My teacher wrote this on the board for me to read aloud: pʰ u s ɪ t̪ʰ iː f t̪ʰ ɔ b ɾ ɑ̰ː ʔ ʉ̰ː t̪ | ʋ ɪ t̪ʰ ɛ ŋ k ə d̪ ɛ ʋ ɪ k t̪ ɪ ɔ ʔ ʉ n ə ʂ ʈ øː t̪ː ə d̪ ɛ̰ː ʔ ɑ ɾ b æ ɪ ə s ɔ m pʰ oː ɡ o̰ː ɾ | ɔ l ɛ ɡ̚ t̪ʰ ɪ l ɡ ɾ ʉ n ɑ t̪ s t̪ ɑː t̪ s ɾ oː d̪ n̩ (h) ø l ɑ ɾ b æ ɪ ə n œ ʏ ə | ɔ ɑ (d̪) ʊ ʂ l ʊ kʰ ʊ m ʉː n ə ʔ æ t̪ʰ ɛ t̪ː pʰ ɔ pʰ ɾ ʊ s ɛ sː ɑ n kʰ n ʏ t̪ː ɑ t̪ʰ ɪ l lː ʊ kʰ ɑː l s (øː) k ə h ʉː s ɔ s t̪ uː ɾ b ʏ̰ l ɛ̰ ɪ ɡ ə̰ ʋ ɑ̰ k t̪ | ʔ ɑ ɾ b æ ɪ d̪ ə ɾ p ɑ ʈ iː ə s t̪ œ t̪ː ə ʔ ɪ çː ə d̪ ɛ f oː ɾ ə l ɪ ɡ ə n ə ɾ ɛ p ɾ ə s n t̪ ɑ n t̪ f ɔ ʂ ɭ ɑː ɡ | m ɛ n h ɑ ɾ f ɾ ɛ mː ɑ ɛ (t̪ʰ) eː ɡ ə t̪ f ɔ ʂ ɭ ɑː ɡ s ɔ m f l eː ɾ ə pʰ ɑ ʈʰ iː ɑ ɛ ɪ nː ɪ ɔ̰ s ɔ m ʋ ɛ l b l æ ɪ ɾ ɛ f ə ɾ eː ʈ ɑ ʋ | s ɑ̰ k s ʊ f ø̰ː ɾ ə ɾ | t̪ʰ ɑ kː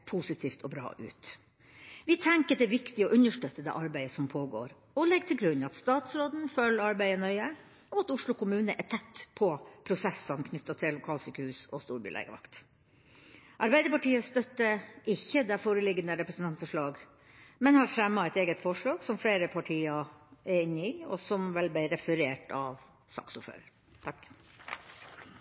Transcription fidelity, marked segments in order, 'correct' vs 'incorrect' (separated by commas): incorrect, incorrect, incorrect, incorrect